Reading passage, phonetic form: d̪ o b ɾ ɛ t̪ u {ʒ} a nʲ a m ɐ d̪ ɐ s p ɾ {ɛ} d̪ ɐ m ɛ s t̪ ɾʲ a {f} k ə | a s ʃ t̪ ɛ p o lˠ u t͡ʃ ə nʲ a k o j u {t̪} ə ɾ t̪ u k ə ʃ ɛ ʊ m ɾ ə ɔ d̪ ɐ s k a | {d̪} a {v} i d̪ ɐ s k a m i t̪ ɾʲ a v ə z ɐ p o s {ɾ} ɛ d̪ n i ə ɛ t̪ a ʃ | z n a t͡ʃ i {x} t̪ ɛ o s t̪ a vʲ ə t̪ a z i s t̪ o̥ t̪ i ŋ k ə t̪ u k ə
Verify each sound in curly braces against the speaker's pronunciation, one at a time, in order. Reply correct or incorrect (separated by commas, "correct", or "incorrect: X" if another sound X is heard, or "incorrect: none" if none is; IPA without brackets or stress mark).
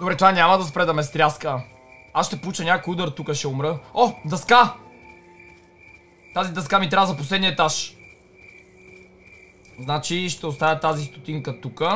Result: incorrect: v, correct, incorrect: s, incorrect: d̪, incorrect: t̪, incorrect: z, incorrect: l, incorrect: ʃ